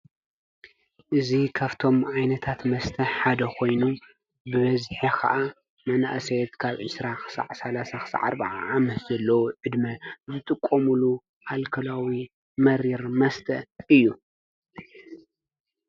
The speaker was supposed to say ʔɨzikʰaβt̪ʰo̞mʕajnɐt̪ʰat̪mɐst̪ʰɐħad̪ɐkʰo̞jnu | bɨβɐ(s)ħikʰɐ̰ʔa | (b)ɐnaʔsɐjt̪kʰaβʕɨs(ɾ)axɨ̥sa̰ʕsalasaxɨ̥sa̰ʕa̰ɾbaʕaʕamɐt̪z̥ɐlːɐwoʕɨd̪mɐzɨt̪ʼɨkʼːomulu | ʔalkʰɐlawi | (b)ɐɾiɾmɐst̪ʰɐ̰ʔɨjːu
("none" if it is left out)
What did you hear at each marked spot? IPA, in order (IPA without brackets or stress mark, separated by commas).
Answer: z, m, ɾ, m